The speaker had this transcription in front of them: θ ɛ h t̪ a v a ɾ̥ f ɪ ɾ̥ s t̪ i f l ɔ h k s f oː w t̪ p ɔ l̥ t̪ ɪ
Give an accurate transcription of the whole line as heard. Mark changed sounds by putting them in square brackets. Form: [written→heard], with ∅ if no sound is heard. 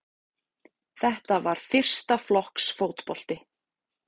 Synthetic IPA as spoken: θ ɛ h t̪ a v a ɾ̥ f ɪ [ɾ̥→r̥] s t̪ [i→a] f l ɔ h k s f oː w t̪ p ɔ l̥ t̪ ɪ

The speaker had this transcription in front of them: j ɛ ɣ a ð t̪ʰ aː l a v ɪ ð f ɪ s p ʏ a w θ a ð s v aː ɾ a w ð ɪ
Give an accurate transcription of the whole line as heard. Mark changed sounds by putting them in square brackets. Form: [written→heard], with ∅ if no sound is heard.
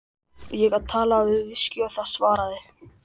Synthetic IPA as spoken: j ɛ ɣ a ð t̪ʰ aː l a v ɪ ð [f→v] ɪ s [p→c] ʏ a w θ a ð s v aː ɾ a [w→∅] ð ɪ

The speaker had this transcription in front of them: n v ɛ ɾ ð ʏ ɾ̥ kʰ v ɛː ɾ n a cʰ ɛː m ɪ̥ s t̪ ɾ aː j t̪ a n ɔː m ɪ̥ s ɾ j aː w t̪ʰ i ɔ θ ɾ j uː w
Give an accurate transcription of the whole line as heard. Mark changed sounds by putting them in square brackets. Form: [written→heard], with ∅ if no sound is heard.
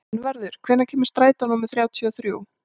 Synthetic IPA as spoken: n v ɛ ɾ ð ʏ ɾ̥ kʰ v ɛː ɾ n a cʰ ɛː m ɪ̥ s t̪ ɾ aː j t̪ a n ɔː m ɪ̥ [s→θ] ɾ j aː w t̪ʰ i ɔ θ ɾ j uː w

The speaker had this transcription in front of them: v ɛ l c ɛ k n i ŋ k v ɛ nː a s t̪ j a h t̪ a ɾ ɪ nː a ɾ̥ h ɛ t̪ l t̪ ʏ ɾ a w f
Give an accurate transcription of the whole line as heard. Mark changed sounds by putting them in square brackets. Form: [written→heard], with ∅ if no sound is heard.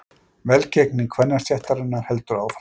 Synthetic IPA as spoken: v ɛ l c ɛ k n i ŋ [k→kʰ] v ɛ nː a s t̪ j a h t̪ a ɾ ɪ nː a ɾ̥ h ɛ [t̪→∅] l t̪ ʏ ɾ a w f

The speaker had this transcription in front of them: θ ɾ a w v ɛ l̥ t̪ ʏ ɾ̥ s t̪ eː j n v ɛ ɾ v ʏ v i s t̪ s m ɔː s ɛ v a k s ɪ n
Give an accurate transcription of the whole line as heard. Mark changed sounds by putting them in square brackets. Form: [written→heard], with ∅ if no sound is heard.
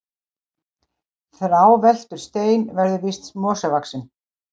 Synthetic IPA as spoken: θ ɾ a w v ɛ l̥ t̪ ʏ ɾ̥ s t̪ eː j n v ɛ ɾ [v→ð] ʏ v i s t̪ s m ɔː s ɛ v a k s ɪ n

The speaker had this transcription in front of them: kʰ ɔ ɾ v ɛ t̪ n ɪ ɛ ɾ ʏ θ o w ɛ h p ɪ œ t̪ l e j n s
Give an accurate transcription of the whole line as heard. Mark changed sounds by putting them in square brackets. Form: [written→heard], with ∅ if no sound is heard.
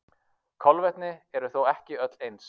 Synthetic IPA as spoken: kʰ ɔ [ɾ→l] v ɛ t̪ n ɪ ɛ ɾ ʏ θ o w ɛ h [p→c] ɪ œ t̪ l e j n s

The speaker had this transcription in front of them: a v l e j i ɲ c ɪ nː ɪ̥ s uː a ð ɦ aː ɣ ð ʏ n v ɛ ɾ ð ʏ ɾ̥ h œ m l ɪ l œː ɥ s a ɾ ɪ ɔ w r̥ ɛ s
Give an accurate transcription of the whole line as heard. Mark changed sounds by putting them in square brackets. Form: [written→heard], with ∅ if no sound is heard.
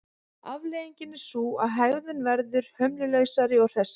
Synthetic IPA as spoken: a v l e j i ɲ c ɪ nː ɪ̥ s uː a ð ɦ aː ɣ ð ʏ n v ɛ ɾ ð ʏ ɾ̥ h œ m l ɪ l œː ɥ s a ɾ ɪ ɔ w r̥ ɛ s

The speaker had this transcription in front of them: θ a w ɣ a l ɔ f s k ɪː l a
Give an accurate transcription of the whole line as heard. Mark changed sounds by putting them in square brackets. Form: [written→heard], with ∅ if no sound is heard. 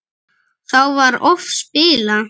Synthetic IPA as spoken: θ a w [ɣ→v] a [l→ɾ] ɔ f s [k→p] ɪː l a

